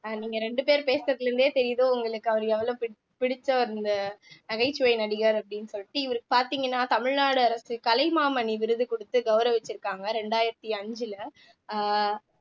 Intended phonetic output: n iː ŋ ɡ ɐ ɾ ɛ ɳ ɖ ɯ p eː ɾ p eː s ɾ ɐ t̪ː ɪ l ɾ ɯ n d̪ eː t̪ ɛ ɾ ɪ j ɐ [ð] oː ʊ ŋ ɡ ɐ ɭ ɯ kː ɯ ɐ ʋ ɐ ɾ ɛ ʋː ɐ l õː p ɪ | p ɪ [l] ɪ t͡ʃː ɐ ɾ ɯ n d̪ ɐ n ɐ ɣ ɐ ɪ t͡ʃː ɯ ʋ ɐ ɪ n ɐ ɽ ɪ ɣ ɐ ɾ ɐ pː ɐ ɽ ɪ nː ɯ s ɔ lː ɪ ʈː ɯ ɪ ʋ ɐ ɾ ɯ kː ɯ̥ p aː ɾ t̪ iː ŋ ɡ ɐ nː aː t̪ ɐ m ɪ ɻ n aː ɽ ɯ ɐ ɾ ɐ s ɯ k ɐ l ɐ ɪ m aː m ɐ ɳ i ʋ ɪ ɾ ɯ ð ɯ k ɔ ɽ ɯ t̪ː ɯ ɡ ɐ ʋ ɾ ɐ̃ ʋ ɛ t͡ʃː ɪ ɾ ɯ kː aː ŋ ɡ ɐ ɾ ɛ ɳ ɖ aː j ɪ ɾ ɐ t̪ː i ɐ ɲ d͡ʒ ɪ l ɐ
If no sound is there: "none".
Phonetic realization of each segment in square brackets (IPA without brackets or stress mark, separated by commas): ð, ɽ